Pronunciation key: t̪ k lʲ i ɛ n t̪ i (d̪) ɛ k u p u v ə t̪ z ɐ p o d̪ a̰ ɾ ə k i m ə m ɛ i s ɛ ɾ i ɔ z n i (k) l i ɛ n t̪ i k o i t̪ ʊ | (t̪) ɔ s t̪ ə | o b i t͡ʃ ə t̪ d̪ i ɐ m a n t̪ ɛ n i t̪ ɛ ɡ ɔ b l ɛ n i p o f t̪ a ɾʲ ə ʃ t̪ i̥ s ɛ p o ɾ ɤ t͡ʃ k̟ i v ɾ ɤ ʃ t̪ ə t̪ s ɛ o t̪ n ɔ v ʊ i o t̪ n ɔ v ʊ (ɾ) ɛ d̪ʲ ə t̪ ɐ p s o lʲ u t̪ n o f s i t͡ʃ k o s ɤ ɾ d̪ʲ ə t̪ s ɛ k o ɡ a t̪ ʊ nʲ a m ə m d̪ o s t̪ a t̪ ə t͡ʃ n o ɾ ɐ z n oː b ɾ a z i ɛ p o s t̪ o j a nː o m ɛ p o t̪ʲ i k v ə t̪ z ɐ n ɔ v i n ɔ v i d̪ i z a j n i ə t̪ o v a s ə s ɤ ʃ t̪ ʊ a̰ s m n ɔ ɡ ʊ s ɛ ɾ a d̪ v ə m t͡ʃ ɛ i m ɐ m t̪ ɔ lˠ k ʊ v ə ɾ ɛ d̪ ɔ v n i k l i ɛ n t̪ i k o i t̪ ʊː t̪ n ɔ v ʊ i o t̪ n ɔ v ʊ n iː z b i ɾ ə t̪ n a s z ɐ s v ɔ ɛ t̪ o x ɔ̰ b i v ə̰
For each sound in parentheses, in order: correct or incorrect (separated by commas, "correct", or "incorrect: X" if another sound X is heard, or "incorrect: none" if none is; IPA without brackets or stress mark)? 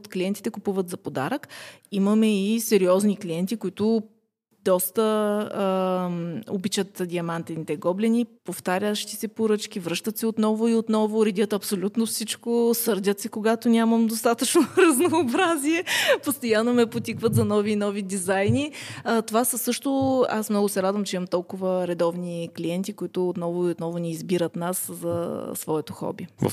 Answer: incorrect: t̪, correct, incorrect: d̪, correct